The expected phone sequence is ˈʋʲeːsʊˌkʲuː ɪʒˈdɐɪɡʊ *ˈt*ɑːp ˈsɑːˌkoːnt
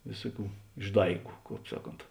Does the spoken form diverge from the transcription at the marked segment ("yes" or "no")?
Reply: yes